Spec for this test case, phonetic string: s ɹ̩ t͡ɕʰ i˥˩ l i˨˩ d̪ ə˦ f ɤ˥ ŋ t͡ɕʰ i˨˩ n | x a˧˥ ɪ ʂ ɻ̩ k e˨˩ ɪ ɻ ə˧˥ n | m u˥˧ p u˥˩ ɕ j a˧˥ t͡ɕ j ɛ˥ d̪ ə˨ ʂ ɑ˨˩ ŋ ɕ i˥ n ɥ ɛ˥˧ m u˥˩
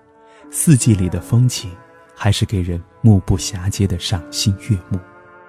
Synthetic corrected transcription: s ɹ̩ t͡ɕ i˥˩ l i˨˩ d̪ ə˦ f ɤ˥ ŋ t͡ɕʰ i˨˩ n | x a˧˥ ɪ ʂ ɻ̩ k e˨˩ ɪ ɻ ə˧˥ n | m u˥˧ p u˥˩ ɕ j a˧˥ t͡ɕ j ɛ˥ d̪ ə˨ ʂ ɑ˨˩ ŋ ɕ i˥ n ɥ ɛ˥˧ m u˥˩